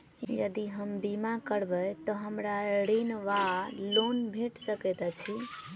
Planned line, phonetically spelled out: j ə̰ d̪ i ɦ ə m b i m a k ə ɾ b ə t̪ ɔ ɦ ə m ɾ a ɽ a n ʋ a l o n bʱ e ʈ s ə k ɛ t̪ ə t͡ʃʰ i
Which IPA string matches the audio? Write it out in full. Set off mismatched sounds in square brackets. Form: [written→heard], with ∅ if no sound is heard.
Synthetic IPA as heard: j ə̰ d̪ i ɦ ə m b i m a k ə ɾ b ə t̪ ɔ ɦ ə m ɾ a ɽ [a→i] n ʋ a l o n bʱ e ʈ s ə k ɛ t̪ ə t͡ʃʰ i